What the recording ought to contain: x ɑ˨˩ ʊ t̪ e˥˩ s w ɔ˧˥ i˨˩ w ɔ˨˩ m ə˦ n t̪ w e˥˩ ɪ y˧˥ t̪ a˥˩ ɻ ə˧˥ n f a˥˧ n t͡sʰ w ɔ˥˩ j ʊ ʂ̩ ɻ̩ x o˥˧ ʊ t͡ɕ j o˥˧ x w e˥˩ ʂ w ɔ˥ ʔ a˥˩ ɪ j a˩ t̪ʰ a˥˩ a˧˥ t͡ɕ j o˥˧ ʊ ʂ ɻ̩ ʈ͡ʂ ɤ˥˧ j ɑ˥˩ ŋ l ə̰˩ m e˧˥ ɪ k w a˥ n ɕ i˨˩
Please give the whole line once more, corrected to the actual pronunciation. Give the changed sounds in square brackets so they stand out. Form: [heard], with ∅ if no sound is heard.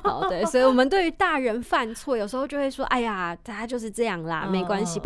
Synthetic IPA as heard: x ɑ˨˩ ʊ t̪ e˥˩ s w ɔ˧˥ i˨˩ w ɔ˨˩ m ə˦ n t̪ w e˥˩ ɪ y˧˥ t̪ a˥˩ ɻ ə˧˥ n f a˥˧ n t͡sʰ w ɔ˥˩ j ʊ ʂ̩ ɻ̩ x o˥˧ ʊ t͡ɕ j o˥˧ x w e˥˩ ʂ w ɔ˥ ʔ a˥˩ ɪ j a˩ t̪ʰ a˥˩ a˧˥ t͡ɕ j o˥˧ ʊ ʂ ɻ̩ ʈ͡ʂ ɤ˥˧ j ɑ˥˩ ŋ l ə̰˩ m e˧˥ ɪ k w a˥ n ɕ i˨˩